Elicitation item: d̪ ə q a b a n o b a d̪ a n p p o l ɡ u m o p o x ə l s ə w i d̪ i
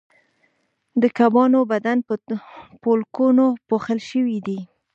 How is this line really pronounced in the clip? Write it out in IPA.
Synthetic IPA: d̪ ə k a b ɑ n o b a d̪ a n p p o l k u n o p o x ə l ʃ ə w i d̪ i

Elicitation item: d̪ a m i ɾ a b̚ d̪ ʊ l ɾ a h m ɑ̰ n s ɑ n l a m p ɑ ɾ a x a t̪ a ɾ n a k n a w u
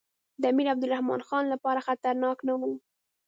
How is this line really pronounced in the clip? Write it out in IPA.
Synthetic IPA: d̪ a m i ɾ a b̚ d̪ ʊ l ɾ a h m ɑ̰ n x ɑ n l a p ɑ ɾ a x a t̪ a ɾ n ɑ k n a w u

